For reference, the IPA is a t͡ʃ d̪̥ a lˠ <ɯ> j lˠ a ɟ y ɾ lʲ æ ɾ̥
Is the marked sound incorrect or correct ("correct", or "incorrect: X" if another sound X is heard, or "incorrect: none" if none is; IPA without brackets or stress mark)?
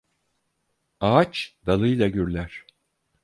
correct